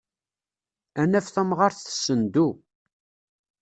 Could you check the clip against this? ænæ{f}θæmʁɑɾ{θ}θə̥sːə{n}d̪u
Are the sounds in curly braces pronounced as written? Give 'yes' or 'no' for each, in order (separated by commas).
yes, yes, yes